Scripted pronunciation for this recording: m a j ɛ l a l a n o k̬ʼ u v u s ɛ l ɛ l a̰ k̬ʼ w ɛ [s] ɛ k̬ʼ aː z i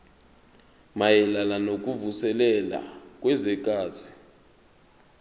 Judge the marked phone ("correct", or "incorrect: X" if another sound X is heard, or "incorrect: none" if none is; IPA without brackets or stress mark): incorrect: z